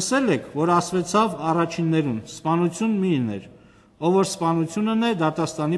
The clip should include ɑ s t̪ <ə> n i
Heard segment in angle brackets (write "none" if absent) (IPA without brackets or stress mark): ɑ